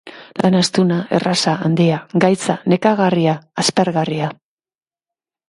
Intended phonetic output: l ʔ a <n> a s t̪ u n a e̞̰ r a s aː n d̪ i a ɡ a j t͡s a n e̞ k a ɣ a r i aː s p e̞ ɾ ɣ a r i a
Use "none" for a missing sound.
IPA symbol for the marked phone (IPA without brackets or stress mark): n